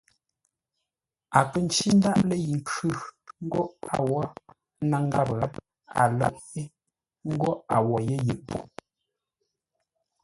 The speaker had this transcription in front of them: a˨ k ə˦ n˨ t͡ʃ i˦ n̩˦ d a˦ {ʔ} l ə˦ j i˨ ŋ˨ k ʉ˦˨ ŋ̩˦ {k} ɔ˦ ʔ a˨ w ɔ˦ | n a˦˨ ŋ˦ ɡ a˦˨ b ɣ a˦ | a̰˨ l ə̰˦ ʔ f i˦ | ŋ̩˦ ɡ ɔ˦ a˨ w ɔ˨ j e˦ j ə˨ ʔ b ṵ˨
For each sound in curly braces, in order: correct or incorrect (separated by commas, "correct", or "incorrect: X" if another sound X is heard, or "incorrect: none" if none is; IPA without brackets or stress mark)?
correct, incorrect: ɡ